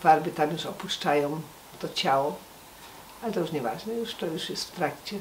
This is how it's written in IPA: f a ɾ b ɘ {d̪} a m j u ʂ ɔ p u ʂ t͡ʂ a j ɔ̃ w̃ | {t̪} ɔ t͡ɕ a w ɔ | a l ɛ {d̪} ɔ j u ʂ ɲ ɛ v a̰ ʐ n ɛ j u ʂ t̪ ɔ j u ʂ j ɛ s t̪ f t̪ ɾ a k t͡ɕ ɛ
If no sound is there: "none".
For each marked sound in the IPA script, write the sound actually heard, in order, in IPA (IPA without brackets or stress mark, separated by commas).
t̪, t̪, t̪